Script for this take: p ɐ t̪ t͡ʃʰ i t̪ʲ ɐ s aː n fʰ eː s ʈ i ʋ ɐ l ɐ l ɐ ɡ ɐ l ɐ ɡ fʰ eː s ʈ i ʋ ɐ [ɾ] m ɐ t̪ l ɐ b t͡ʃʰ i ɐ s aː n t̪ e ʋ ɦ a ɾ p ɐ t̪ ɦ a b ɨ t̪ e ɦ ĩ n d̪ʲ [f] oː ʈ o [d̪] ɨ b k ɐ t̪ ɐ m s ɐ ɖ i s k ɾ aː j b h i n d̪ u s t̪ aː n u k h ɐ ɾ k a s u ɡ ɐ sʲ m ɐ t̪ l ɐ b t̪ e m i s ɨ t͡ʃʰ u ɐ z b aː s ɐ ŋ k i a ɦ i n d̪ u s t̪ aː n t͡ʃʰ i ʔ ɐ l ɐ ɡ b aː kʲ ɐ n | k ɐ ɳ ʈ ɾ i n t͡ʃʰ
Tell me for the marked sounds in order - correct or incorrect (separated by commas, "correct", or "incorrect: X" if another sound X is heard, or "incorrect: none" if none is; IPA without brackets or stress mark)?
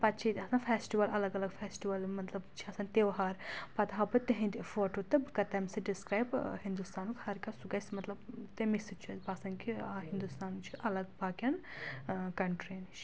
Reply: incorrect: l, correct, incorrect: t̪